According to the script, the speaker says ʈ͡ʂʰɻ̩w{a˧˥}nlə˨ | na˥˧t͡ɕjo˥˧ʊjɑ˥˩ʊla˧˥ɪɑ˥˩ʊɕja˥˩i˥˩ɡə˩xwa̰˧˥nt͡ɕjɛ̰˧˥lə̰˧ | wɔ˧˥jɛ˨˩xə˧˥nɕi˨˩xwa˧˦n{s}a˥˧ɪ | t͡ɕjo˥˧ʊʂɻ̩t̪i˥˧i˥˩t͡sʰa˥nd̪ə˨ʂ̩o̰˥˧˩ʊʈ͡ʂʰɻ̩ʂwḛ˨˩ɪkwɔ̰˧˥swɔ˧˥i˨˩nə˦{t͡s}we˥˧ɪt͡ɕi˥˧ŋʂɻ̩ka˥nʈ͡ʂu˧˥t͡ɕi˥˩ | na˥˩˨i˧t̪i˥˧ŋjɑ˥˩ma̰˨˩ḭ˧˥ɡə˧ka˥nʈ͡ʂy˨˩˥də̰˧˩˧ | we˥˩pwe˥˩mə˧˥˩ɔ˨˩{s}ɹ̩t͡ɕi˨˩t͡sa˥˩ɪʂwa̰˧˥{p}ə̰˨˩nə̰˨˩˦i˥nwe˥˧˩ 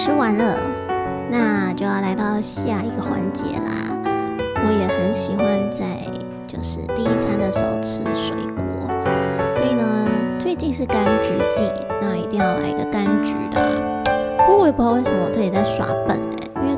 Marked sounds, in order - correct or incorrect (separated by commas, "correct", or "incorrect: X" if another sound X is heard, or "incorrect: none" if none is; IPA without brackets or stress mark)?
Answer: correct, incorrect: t͡s, correct, incorrect: t͡s, correct